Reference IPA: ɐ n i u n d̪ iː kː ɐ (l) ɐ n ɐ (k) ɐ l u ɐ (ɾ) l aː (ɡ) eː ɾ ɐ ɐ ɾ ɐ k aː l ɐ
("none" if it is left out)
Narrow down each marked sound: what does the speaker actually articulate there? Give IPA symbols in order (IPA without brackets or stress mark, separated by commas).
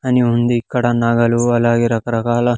ɽ, ɡ, none, ɡ